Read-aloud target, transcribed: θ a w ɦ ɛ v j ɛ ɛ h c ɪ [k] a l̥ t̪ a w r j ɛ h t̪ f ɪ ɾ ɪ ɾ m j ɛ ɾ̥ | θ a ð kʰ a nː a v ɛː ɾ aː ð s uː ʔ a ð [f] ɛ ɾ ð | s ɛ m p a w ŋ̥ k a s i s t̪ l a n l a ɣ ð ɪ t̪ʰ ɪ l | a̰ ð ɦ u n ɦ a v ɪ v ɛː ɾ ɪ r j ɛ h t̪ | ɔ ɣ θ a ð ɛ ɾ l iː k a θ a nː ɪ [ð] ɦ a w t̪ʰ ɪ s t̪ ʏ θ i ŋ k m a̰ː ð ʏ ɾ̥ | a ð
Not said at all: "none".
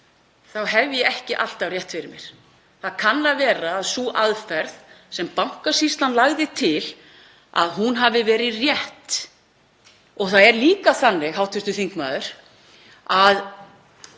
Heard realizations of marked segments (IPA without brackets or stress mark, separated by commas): ʔ, f, ɣ